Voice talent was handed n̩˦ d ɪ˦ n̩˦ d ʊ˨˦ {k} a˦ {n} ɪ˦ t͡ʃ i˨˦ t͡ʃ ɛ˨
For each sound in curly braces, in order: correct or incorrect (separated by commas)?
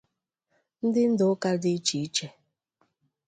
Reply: correct, incorrect